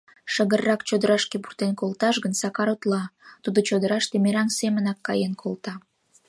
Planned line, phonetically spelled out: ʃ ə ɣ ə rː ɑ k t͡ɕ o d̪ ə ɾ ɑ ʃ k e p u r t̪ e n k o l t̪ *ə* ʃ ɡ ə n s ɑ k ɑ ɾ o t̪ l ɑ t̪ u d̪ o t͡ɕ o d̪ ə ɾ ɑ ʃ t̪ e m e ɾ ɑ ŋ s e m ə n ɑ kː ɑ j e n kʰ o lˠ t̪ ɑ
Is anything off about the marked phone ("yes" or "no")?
yes